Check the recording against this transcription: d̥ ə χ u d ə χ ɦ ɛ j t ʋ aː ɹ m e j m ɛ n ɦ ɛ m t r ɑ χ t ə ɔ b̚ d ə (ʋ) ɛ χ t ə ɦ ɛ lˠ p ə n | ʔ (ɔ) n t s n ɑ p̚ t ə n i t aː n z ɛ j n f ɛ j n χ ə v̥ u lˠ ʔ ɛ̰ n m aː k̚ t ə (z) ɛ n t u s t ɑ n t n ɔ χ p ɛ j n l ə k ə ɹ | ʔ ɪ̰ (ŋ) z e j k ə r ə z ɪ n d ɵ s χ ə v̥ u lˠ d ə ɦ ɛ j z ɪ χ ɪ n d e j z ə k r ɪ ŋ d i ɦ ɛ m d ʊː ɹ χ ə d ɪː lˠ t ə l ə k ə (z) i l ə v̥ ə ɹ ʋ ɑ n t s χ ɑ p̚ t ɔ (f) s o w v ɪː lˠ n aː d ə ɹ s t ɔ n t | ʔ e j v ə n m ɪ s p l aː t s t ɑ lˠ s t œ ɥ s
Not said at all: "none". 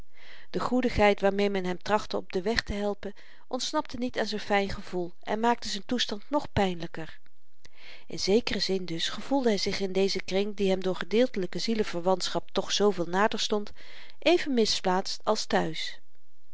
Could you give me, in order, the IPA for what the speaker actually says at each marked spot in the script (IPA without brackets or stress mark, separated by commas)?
ʋ, ɔ, z, n, z, χ